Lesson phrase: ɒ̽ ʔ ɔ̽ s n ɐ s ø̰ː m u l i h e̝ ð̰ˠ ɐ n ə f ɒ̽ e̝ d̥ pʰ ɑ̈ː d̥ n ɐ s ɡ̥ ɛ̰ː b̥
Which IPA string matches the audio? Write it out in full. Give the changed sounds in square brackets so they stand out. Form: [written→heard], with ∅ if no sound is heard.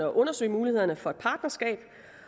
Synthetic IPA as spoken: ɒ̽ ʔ ɔ̽ [s→∅] n ɐ s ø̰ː m [u→uː] l i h e̝ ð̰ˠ ɐ n ə f ɒ̽ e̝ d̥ pʰ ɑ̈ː d̥ n ɐ s ɡ̥ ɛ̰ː b̥